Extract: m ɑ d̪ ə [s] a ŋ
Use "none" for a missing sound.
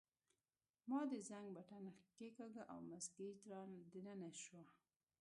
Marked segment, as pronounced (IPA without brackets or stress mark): z